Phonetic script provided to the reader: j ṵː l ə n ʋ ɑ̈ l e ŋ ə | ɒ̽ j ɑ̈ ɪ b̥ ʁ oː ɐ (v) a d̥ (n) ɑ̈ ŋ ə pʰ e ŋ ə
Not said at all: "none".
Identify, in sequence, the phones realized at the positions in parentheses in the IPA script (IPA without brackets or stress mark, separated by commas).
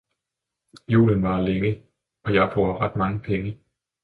ʁ, m